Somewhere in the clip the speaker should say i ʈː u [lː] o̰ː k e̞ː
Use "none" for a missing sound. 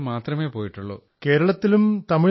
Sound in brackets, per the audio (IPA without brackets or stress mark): ɭː